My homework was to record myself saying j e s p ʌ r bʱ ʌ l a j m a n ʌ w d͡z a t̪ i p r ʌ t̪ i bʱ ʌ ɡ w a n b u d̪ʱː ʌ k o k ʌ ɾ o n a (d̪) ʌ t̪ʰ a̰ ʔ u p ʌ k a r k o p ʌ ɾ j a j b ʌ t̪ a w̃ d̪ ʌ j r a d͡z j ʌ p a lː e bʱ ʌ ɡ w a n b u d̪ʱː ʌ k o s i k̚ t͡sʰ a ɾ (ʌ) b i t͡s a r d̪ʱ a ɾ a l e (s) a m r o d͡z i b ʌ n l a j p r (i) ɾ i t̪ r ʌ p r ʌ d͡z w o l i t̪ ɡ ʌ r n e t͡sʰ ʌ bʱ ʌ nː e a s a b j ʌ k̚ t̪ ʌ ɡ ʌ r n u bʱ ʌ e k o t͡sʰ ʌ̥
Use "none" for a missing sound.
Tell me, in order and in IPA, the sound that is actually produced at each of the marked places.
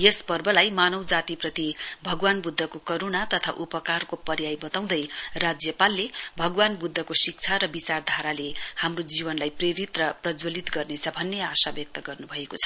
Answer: t̪, ʌ, h, e

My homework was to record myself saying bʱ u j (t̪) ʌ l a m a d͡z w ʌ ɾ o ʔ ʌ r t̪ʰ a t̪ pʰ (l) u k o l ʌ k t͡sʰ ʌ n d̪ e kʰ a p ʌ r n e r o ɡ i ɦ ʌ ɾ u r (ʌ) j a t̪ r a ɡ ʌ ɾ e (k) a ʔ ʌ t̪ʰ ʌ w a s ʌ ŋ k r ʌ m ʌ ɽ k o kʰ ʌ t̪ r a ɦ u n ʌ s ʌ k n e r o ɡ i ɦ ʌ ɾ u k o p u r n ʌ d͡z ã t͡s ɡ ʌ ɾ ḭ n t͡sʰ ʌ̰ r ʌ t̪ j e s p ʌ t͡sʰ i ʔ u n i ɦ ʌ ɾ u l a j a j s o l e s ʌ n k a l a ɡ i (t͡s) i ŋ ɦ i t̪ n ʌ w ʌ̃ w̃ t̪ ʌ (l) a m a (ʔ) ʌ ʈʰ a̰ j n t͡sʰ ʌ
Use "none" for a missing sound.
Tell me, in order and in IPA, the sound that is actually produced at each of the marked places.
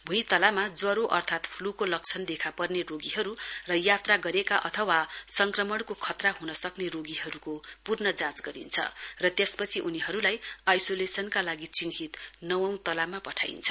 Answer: t̪, l, ʌ, k, t͡s, l, p

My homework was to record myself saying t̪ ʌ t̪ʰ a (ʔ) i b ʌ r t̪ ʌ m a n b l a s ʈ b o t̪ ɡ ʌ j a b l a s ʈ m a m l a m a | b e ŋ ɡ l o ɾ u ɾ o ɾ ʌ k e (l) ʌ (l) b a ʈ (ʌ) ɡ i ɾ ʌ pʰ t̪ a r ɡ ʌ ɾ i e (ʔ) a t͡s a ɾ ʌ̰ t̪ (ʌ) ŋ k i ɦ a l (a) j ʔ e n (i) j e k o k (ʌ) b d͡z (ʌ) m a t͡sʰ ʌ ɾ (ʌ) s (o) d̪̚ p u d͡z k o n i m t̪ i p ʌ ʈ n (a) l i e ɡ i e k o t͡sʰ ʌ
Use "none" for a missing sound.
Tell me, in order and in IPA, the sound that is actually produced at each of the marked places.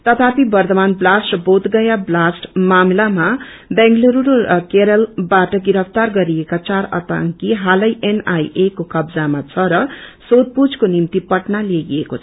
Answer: p, ɾ, l, ʌ, k, a, ʌ, a, ʌ, a, ʌ, o, a

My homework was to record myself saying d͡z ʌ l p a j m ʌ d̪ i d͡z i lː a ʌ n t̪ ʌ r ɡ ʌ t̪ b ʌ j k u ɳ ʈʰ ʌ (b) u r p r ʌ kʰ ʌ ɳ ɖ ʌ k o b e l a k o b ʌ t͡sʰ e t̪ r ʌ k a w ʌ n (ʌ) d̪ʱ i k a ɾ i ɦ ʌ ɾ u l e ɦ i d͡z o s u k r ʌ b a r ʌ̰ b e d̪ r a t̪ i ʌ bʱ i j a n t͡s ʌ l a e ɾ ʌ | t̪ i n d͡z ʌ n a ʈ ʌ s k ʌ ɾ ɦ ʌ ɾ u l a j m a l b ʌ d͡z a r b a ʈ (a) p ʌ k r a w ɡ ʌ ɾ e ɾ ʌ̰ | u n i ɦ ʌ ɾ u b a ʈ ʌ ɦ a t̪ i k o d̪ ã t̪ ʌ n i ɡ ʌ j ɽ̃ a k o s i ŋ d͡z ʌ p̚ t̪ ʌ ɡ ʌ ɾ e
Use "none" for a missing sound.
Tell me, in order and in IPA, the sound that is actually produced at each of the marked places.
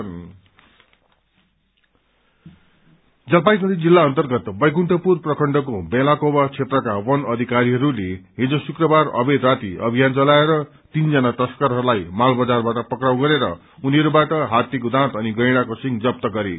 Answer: p, ʌ, ʌ

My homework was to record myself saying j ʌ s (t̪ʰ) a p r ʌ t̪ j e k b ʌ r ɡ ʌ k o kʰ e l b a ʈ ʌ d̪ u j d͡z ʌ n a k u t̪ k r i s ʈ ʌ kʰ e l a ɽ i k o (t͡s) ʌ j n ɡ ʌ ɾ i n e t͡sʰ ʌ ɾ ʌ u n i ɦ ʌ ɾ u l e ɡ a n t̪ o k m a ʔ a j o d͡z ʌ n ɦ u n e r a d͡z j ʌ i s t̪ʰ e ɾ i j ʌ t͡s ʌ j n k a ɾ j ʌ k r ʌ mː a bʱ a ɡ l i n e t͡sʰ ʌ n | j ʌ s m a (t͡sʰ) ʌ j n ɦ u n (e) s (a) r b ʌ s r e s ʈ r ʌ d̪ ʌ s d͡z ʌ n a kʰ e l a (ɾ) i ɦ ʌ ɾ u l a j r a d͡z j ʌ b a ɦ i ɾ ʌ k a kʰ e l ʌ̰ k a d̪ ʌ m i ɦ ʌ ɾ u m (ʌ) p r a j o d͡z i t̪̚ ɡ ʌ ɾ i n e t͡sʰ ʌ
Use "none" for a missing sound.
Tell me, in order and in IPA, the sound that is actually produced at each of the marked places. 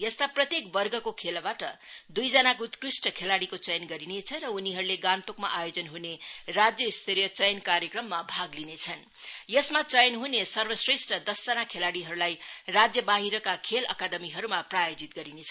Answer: t̪, t͡s, t͡s, e, ʌ, ɽ, a

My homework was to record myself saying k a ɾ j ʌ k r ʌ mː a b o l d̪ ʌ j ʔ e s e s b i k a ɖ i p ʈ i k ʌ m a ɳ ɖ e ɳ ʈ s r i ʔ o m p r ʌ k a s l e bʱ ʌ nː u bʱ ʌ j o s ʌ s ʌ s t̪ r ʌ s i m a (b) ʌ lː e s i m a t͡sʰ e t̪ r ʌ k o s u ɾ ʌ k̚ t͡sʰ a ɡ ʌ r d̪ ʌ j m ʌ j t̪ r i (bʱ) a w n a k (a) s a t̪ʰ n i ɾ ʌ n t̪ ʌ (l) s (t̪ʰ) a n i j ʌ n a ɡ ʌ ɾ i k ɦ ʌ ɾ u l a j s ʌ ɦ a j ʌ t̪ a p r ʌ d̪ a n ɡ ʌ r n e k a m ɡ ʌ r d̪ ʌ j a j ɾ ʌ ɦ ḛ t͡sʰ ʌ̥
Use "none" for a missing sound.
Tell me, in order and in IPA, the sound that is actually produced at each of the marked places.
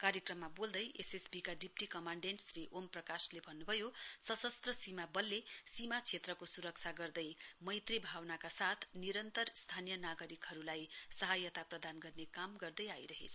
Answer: b, bʱ, a, r, t̪ʰ

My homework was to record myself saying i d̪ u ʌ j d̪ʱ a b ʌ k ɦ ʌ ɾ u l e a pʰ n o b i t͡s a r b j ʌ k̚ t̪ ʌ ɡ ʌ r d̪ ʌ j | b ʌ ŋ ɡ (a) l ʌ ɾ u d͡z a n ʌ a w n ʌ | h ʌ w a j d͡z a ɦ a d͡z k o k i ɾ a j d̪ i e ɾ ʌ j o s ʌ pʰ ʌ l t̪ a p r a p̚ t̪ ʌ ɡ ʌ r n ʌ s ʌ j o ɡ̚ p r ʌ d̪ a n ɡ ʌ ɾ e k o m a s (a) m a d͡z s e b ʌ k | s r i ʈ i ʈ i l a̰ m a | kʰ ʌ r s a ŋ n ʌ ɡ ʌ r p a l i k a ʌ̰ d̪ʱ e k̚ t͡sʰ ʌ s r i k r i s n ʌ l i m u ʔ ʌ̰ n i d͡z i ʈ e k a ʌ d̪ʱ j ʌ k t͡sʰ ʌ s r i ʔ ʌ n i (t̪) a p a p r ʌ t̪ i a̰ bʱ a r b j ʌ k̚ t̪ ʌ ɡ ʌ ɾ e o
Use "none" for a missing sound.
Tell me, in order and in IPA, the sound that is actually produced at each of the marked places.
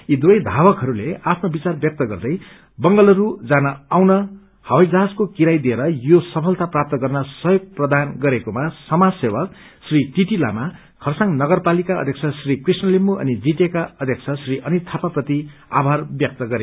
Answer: ʌ, ʌ, t̪ʰ

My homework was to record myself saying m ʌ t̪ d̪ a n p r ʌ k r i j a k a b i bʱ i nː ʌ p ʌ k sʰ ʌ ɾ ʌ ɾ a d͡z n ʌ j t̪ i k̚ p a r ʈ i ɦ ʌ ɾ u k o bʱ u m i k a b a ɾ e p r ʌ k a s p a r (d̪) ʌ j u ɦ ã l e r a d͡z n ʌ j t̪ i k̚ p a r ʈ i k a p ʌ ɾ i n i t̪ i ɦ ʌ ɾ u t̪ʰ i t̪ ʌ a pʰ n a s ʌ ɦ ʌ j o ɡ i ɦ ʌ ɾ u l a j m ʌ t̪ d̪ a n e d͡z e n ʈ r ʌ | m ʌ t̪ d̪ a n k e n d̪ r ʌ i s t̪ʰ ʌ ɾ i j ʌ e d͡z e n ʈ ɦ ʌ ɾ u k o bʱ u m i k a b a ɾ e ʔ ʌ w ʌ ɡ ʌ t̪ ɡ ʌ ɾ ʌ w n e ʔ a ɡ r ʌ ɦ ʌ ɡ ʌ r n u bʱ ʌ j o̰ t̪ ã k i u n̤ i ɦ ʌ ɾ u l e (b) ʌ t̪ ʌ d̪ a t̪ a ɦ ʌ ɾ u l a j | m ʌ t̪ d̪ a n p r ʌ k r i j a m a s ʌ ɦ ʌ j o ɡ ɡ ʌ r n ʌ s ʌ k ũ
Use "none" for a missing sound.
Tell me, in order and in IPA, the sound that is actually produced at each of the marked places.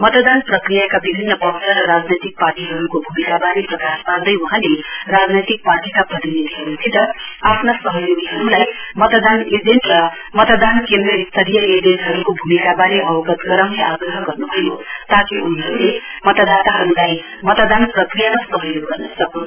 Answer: d̪, m

